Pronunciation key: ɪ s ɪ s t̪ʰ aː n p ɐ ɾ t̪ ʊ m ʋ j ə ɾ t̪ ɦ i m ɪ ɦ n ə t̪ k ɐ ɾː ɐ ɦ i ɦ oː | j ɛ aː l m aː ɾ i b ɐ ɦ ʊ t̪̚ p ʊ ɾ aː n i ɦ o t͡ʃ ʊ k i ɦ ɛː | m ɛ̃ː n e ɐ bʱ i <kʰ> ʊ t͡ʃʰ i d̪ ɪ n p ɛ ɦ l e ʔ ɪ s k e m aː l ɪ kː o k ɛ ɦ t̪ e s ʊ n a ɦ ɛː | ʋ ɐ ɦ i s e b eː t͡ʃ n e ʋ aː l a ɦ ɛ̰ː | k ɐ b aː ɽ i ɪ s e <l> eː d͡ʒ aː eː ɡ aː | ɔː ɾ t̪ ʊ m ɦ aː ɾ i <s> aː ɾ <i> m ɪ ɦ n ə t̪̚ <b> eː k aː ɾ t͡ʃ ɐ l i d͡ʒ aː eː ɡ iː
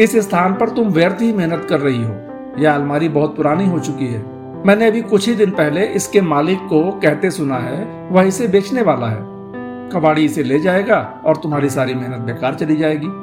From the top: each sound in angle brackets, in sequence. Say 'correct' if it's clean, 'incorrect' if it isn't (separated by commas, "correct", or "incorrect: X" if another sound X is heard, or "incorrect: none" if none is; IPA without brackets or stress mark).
incorrect: k, correct, correct, correct, correct